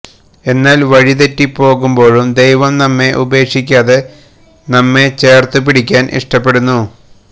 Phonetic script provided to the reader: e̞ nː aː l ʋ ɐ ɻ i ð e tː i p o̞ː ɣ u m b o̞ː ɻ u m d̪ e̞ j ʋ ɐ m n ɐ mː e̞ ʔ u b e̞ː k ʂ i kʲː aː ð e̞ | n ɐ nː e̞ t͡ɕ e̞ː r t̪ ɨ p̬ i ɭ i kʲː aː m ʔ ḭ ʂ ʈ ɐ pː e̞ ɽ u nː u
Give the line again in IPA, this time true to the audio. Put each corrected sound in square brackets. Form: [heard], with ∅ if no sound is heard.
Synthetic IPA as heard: e̞ nː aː l ʋ ɐ ɻ i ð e tː i p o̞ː ɣ u m b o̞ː ɻ u m d̪ e̞ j ʋ ɐ m n ɐ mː e̞ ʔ u b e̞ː k ʂ i kʲː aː ð e̞ | n ɐ [mː] e̞ t͡ɕ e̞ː r t̪ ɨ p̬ i [ɽ] i kʲː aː [n] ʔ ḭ ʂ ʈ ɐ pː e̞ ɽ u nː u

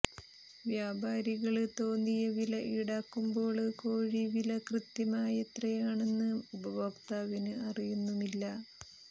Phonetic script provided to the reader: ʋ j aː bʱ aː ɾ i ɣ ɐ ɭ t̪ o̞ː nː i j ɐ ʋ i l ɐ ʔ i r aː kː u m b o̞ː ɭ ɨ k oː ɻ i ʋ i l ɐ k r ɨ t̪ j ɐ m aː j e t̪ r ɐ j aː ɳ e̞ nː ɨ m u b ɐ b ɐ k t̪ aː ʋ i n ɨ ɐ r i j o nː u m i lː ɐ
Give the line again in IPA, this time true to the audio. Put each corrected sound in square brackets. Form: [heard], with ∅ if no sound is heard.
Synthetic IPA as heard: ʋ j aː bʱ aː ɾ i ɣ ɐ ɭ t̪ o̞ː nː i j ɐ ʋ i l ɐ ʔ i [ɽ] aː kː u m b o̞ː ɭ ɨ k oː ɻ i ʋ i l ɐ k r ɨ t̪ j ɐ m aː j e t̪ r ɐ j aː ɳ e̞ nː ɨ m u b ɐ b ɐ k t̪ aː ʋ i n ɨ ɐ r i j [u] nː u m i lː ɐ

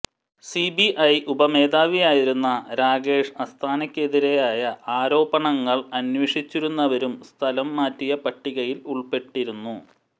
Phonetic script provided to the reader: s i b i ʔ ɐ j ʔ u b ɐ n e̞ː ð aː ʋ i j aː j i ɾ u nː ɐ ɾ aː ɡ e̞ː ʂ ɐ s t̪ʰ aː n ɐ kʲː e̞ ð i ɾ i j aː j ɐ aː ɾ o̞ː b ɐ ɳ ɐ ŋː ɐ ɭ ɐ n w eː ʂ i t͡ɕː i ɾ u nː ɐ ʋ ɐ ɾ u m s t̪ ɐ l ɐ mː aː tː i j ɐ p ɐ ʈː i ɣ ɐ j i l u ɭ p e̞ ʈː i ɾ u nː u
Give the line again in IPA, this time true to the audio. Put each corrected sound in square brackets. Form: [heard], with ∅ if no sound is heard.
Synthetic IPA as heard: s i b i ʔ ɐ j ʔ u b ɐ [m] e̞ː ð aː ʋ i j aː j i ɾ u nː ɐ ɾ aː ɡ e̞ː ʂ ɐ s t̪ʰ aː n ɐ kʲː e̞ ð i ɾ [e] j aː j ɐ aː ɾ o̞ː b ɐ ɳ ɐ ŋː ɐ ɭ ɐ n w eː ʂ i t͡ɕː i ɾ u nː ɐ ʋ ɐ ɾ u m s [t̪ʰ] ɐ l ɐ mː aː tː i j ɐ p ɐ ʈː i ɣ ɐ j i l u ɭ p e̞ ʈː i ɾ u nː u

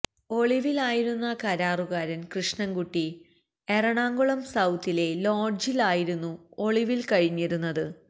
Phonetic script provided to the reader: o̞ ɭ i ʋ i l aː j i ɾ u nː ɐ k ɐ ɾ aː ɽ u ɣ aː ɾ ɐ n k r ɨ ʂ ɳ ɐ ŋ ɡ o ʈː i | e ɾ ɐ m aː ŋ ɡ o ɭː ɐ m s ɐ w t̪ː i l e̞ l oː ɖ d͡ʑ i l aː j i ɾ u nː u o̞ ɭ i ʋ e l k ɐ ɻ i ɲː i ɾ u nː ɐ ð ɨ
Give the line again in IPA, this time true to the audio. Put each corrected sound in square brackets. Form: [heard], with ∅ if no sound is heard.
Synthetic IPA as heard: o̞ ɭ i ʋ i l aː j i ɾ u nː ɐ k ɐ ɾ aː [r] u ɣ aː ɾ ɐ n k r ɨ ʂ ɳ ɐ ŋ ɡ [u] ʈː i | e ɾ ɐ [ɳ] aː ŋ ɡ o [ɭ] ɐ m s ɐ w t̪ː i l e̞ l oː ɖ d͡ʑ i l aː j i ɾ u nː u o̞ ɭ i ʋ [i] l k ɐ ɻ i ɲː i ɾ u nː ɐ ð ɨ

